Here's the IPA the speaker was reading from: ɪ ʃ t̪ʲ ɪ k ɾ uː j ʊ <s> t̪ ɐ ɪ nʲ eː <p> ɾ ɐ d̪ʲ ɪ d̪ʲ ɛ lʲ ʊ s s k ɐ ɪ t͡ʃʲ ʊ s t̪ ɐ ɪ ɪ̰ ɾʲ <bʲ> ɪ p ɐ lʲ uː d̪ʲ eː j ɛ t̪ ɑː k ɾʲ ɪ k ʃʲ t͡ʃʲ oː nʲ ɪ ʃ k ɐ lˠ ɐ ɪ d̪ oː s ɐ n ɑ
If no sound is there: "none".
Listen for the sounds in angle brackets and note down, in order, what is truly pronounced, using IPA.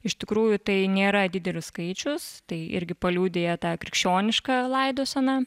none, none, ɡʲ

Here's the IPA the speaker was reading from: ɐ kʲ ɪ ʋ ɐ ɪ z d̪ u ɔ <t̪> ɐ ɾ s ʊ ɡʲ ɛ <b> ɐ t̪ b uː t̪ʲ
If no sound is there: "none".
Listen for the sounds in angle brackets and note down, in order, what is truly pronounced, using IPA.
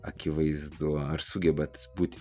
none, b

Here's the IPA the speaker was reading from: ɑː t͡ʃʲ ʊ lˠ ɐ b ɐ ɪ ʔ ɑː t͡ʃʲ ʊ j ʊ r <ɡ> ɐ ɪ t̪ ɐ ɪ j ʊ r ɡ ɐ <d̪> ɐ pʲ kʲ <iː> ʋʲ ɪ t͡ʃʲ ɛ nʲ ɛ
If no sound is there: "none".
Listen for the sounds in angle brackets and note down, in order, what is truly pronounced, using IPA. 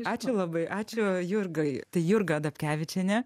ɡ, d̪, æː

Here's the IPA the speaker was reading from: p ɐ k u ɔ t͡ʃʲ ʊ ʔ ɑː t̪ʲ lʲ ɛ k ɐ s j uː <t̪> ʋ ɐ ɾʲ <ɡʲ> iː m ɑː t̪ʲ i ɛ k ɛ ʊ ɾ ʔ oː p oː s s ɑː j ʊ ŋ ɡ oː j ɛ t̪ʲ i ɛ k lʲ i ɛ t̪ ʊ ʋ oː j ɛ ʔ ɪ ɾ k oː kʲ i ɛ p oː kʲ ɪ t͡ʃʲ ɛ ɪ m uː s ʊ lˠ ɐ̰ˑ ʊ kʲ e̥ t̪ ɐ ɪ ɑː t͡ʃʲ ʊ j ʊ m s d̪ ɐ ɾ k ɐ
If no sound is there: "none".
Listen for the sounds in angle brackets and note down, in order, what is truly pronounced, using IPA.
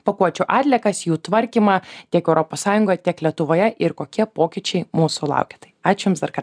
t̪, kʲ

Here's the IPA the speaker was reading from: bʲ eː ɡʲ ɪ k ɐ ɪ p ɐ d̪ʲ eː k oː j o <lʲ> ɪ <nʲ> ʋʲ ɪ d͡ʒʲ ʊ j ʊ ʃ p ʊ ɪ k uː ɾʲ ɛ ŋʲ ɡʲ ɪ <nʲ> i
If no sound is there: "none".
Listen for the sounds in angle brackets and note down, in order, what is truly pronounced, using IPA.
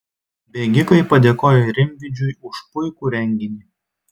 ɾʲ, mʲ, nʲ

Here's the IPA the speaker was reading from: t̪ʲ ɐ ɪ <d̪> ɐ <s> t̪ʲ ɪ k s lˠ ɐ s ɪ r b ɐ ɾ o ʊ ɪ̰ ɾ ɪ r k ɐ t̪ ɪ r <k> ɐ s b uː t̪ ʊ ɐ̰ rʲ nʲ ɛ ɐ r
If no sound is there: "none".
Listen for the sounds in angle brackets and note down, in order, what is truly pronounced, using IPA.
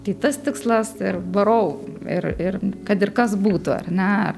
t̪, s, k

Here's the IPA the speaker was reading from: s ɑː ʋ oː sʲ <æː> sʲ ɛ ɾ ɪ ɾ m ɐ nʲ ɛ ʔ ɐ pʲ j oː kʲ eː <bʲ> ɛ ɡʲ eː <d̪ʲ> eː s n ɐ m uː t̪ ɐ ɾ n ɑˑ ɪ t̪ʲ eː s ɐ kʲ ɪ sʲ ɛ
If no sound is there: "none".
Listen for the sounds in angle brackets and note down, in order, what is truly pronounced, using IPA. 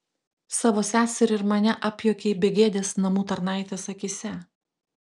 æː, bʲ, d̪ʲ

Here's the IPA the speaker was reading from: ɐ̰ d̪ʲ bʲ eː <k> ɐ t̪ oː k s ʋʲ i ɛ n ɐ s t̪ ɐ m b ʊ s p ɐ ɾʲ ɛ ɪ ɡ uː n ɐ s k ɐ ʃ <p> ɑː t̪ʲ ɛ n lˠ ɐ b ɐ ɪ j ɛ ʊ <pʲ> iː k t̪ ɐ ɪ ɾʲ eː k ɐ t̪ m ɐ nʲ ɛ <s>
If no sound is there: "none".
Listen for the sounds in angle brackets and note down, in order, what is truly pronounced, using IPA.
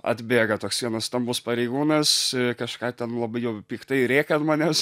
ɡ, k, pʲ, s

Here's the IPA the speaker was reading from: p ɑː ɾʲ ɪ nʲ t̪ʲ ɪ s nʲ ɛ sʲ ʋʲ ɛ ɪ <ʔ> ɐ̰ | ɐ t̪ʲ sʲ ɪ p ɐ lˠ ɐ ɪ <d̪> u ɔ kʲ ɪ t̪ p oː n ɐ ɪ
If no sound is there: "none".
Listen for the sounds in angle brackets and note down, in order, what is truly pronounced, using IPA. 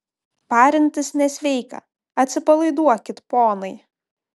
k, d̪

